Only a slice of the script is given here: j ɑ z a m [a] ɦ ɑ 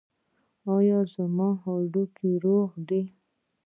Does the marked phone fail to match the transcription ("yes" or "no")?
yes